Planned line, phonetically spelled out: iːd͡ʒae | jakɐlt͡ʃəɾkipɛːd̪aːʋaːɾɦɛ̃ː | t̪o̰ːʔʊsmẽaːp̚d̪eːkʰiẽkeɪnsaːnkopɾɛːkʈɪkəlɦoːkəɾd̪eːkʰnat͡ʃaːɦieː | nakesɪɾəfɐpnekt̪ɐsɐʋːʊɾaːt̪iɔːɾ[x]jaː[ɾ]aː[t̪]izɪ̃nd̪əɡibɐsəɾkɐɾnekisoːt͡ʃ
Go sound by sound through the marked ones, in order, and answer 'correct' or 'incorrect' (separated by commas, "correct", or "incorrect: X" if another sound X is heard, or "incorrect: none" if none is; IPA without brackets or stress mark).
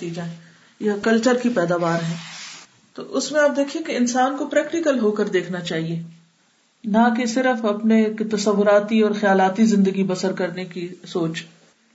correct, incorrect: l, correct